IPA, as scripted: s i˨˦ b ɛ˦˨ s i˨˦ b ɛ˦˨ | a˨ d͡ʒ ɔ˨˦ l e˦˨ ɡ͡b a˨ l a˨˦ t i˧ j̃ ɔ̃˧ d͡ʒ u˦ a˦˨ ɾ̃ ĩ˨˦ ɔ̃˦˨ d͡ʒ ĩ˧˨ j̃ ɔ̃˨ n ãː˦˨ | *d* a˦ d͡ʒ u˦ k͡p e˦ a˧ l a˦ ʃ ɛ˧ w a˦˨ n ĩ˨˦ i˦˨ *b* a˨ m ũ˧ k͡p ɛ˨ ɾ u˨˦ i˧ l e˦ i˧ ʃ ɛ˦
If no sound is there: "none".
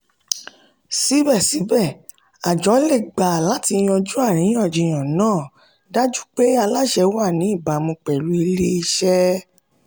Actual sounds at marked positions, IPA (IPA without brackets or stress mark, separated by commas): d, b